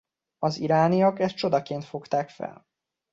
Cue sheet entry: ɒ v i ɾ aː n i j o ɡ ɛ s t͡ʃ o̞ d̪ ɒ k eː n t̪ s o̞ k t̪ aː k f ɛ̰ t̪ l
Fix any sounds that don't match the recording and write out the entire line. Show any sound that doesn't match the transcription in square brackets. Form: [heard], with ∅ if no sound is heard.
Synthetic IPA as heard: ɒ [z] i ɾ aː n i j [ɒ] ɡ ɛ s t͡ʃ o̞ d̪ ɒ k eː n t̪ [f] o̞ k t̪ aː k f ɛ̰ [∅] l

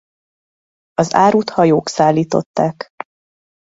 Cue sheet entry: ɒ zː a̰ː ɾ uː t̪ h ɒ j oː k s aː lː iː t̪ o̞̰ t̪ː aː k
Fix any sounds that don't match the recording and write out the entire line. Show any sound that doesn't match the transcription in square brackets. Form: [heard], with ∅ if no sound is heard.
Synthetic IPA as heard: ɒ [z] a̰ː ɾ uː t̪ h ɒ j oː k s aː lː iː t̪ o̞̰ t̪ː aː k

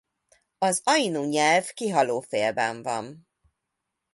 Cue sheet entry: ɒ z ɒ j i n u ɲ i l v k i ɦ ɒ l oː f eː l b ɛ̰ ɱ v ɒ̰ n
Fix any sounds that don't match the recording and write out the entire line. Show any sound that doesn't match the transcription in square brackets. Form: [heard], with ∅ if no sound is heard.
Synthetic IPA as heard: ɒ z ɒ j i n u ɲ [ɛ] l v k i ɦ ɒ l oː f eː l b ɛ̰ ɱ v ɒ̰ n

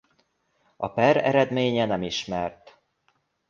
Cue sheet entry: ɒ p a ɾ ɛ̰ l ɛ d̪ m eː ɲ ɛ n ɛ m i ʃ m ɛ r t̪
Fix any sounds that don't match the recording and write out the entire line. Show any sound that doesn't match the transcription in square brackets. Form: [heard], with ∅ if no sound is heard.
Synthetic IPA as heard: ɒ p [ɛ] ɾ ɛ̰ [ɾ] ɛ d̪ m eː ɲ ɛ n ɛ m i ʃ m ɛ r t̪

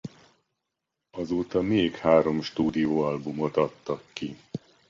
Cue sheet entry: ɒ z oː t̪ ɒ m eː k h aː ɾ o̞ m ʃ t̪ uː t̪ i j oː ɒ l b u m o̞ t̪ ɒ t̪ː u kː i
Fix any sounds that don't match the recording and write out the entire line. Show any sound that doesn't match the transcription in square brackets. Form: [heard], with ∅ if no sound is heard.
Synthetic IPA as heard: ɒ z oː t̪ ɒ m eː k h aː ɾ o̞ m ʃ t̪ uː [d̪] i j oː ɒ l b u m o̞ t̪ ɒ t̪ː [ɒ] kː i

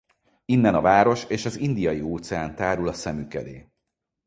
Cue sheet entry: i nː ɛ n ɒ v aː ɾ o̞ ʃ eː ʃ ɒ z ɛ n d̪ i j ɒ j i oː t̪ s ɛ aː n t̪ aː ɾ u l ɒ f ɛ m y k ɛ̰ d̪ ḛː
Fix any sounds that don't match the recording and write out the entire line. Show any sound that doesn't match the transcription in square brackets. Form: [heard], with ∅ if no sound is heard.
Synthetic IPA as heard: i nː ɛ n ɒ v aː ɾ o̞ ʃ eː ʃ ɒ z [i] n d̪ i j ɒ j i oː t̪ s ɛ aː n t̪ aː ɾ u l ɒ [s] ɛ m y k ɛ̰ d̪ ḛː

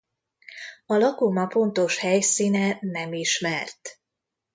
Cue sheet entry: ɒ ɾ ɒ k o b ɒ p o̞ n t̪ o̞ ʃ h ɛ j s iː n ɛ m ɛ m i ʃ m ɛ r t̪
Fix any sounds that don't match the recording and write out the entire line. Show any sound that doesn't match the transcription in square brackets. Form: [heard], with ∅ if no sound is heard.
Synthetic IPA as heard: ɒ [l] ɒ k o [m] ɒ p o̞ n t̪ o̞ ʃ h ɛ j s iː n ɛ [n] ɛ m i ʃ m ɛ r t̪

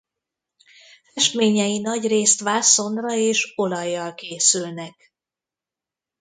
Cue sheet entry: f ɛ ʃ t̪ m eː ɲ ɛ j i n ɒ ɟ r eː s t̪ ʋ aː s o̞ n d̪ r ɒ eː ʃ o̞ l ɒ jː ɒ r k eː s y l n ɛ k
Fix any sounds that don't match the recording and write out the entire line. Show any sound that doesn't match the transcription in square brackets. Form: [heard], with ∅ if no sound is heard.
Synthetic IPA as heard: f ɛ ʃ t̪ m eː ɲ ɛ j i n ɒ ɟ r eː s t̪ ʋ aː s o̞ n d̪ r ɒ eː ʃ o̞ l ɒ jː ɒ [l] k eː s y l n ɛ k

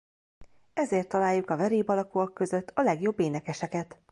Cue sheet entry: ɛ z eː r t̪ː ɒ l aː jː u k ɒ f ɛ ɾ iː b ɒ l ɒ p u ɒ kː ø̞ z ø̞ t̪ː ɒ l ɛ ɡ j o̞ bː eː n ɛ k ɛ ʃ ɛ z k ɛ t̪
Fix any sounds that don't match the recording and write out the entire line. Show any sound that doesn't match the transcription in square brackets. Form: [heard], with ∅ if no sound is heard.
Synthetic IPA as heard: ɛ z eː r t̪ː ɒ l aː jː u k ɒ [v] ɛ ɾ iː b ɒ l ɒ [k] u ɒ kː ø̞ z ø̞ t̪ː ɒ l ɛ ɡ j o̞ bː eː n ɛ k ɛ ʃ ɛ [∅] k ɛ t̪

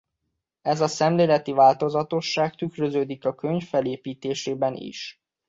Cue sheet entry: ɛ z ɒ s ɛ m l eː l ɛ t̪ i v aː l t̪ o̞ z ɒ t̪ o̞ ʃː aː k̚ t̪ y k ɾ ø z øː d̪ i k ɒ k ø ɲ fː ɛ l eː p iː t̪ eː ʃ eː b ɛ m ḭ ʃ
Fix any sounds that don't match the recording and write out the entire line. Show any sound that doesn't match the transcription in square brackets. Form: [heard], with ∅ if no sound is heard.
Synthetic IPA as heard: ɛ z ɒ s ɛ m l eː l ɛ t̪ i v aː l t̪ o̞ z ɒ t̪ o̞ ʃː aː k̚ t̪ y k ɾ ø z øː d̪ i k ɒ k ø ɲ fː ɛ l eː p iː t̪ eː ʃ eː b ɛ [n] ḭ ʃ

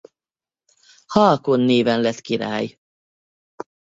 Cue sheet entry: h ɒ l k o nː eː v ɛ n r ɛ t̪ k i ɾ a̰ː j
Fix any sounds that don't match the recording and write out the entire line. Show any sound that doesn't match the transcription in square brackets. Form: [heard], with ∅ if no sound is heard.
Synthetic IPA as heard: h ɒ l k o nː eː v ɛ n [l] ɛ t̪ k i ɾ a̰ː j

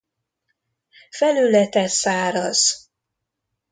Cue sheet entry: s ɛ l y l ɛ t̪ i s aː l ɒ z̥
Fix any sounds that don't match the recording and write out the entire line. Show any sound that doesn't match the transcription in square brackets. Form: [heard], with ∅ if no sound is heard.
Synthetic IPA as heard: [f] ɛ l y l ɛ t̪ [ɛ] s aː [ɾ] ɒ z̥

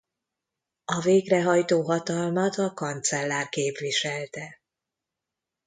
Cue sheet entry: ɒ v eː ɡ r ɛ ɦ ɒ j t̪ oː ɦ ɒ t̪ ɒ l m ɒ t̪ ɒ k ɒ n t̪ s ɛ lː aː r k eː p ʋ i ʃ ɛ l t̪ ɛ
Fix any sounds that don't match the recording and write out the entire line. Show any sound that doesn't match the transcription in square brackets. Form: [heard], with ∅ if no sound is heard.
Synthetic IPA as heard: ɒ v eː ɡ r ɛ ɦ ɒ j t̪ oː ɦ ɒ t̪ ɒ l m ɒ t̪ ɒ k ɒ n t̪ s ɛ lː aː r k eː p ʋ i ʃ ɛ l t̪ ɛ

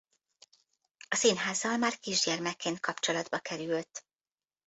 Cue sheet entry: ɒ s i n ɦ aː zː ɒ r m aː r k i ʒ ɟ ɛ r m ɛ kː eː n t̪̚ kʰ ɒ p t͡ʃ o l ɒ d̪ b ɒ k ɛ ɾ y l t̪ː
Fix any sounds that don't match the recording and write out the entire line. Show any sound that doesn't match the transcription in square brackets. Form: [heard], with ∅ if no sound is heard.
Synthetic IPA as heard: ɒ s i n ɦ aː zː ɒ [l] m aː r k i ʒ ɟ ɛ r m ɛ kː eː n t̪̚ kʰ ɒ p t͡ʃ o l ɒ d̪ b ɒ k ɛ ɾ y l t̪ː

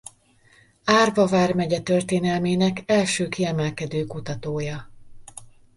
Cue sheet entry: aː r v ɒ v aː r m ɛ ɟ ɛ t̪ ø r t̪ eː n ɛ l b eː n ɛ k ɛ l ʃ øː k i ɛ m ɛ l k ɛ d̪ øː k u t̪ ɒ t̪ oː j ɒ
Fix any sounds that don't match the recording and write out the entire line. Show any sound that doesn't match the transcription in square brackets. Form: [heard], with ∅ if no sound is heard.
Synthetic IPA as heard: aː r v ɒ v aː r m ɛ ɟ ɛ t̪ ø r t̪ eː n ɛ l [m] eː n ɛ k ɛ l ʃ øː k i ɛ m ɛ l k ɛ d̪ øː k u t̪ ɒ t̪ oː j ɒ

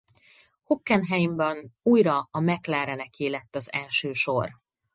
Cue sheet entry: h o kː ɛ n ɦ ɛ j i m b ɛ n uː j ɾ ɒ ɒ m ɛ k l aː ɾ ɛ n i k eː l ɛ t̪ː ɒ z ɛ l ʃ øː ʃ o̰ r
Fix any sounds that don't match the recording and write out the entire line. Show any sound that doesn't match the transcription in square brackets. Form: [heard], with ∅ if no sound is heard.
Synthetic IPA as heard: h o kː ɛ n ɦ ɛ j i m b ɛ n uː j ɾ ɒ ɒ m ɛ k l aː ɾ ɛ n [ɛ] k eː l ɛ t̪ː ɒ z ɛ l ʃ øː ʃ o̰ r

